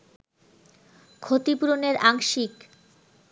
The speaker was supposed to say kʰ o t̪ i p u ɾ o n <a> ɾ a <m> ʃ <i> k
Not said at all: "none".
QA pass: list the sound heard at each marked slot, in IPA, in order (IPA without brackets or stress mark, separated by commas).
e, ŋ, i